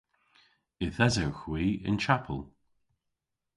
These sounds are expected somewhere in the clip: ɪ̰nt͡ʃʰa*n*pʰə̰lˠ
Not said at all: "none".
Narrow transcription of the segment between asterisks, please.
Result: none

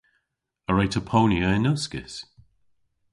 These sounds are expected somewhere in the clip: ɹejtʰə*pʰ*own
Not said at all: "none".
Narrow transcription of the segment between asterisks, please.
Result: pʰ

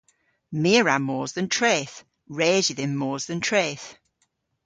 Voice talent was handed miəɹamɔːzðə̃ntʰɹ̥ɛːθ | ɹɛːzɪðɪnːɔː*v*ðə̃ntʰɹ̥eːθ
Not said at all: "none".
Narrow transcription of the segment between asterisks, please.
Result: z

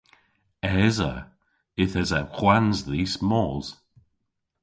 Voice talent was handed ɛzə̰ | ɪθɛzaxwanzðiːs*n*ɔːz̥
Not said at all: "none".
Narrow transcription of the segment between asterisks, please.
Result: m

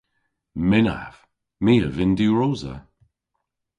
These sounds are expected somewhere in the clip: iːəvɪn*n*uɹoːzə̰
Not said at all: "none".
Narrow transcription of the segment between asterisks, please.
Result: d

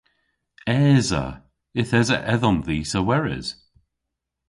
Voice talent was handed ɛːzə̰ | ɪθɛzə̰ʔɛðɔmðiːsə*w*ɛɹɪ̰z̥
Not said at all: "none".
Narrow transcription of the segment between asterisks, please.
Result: w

